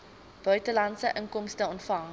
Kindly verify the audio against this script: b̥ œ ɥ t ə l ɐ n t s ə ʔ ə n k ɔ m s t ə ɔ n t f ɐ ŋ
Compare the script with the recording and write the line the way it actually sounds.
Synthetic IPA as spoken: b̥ œ ɥ t ə l ɐ n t s ə ʔ ə ŋ k ɔ m s t ə ɔ n t f ɐ ŋ